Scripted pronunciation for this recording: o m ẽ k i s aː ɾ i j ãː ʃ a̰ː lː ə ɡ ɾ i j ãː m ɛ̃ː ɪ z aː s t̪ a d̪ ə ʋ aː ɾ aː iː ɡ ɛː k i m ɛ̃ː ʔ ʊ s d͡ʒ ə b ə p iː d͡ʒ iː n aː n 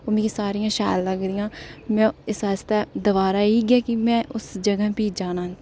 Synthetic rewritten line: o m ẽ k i s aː ɾ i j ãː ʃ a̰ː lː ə ɡ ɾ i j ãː m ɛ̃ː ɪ s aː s t̪ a d̪ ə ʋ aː ɾ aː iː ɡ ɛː k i m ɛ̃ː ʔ ʊ s d͡ʒ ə ɡ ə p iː d͡ʒ aː n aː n